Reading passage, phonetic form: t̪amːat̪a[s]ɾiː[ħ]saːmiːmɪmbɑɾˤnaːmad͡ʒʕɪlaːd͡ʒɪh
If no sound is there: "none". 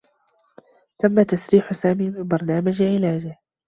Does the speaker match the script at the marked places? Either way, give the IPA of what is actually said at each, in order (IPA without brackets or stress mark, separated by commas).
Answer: s, ħ